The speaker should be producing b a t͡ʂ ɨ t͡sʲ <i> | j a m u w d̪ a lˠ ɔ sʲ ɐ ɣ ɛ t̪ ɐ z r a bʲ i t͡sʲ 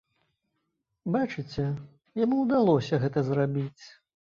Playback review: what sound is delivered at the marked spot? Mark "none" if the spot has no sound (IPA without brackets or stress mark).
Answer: ɛ